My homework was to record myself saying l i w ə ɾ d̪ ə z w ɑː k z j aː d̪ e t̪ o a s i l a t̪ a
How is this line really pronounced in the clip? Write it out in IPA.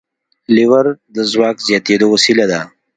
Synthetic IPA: l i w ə ɾ d̪ ə z w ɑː k z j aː t̪ e d̪ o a s i l a d̪ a